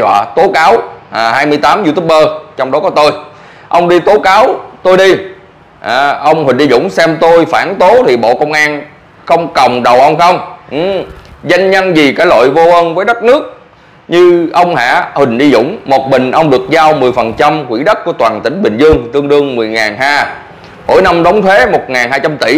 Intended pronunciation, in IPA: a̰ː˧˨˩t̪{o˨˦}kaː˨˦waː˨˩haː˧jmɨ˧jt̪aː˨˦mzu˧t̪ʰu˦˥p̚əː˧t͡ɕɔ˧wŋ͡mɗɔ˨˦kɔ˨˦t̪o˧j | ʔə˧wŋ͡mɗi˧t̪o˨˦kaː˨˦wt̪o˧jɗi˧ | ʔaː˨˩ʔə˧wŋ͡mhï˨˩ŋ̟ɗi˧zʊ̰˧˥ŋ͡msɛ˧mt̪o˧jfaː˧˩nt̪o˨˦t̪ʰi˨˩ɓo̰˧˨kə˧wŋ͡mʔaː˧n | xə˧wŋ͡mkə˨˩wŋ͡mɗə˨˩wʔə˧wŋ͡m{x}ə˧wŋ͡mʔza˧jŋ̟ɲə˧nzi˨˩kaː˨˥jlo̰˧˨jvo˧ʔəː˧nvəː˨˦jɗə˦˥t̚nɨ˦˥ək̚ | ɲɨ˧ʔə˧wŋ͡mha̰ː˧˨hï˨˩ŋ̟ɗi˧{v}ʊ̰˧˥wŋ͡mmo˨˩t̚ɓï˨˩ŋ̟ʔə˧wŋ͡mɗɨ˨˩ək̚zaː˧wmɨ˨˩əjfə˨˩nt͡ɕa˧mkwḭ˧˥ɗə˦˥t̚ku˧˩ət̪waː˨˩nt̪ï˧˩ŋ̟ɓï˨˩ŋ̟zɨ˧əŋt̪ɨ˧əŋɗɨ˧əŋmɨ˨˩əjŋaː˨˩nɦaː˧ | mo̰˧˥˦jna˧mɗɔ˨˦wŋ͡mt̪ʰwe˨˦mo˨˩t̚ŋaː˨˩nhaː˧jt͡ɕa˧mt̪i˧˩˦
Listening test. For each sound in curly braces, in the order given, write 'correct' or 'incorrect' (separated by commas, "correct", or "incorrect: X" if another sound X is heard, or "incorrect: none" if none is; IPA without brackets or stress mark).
correct, correct, incorrect: z